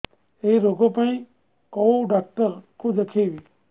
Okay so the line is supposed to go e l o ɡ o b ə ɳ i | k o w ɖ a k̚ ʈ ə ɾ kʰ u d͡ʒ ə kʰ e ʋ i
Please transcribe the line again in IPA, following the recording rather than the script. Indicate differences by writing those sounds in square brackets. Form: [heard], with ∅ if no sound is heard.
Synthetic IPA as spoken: e [ɾ] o ɡ o [p] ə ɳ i | k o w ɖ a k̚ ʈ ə ɾ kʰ u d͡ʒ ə kʰ e ʋ i